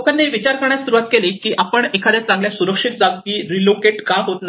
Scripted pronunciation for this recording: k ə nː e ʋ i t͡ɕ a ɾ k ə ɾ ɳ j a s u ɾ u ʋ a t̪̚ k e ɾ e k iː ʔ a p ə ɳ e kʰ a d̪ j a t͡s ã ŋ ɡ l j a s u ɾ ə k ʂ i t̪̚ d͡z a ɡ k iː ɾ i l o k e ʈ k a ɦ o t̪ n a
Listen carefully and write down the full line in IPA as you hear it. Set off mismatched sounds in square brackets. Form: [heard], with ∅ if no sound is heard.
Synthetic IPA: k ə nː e ʋ i t͡ɕ a ɾ k ə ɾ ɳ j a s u ɾ u ʋ a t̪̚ k e [l] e k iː ʔ a p ə ɳ e kʰ a d̪ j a t͡s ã ŋ ɡ l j a s u ɾ ə k ʂ i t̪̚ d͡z a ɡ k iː ɾ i l o k e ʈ k a ɦ o t̪ n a